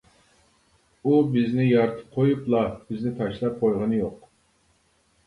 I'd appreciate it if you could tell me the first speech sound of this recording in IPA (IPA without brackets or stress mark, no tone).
u